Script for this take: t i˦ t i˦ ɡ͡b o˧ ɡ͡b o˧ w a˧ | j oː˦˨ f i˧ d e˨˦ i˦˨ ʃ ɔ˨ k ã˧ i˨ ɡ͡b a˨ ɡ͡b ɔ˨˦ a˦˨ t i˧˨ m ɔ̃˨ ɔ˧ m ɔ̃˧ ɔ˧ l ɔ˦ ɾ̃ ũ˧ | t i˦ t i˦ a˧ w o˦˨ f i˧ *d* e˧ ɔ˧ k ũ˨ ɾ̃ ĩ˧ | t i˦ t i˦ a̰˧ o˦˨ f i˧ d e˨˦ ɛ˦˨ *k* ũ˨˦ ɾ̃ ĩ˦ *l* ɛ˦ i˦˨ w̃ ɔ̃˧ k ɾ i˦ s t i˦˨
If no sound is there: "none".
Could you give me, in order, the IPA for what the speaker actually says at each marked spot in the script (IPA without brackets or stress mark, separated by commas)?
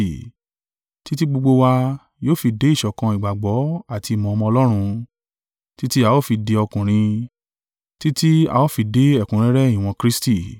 d, k, ɾ